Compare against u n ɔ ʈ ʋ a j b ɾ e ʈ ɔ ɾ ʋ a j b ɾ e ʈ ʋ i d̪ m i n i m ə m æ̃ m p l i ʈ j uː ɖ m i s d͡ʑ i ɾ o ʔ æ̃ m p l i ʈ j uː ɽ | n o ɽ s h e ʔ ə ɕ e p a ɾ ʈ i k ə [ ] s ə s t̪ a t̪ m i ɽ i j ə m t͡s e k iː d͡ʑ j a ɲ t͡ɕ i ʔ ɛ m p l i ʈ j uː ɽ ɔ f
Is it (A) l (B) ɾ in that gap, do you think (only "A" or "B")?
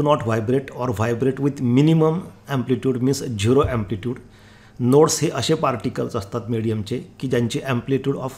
A